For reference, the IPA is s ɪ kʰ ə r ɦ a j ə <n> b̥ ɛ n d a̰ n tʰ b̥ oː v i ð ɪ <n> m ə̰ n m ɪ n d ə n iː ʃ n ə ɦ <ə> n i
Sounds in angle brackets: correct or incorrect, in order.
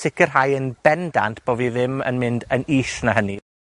correct, incorrect, correct

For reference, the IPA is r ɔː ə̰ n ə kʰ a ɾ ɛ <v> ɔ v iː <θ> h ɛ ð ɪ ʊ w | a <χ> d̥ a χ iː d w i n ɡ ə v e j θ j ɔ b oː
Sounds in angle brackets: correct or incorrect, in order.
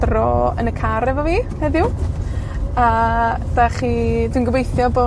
correct, incorrect, incorrect

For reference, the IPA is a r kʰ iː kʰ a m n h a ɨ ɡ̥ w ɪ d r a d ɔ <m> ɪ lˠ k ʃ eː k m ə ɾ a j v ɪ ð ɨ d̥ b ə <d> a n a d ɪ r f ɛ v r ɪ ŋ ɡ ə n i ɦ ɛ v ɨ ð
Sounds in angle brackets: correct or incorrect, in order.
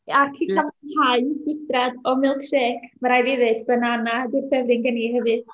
correct, incorrect

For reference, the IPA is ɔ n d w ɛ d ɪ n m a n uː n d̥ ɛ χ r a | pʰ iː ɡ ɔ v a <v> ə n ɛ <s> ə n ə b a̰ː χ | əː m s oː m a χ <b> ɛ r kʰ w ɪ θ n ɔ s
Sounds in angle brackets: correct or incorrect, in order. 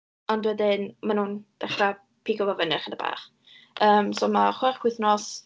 correct, incorrect, incorrect

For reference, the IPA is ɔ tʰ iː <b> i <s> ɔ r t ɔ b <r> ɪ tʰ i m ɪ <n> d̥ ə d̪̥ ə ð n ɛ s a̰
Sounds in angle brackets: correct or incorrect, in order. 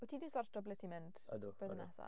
incorrect, correct, incorrect, correct

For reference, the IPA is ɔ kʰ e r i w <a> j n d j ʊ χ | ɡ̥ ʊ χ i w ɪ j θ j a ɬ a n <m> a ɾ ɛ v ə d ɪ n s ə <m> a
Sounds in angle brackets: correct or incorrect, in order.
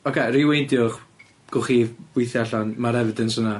incorrect, correct, incorrect

